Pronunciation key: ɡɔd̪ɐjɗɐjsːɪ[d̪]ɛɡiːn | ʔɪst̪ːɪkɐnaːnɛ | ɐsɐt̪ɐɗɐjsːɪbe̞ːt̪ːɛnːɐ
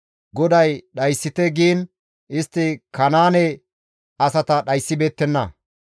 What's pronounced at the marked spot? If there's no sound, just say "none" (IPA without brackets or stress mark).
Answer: t̪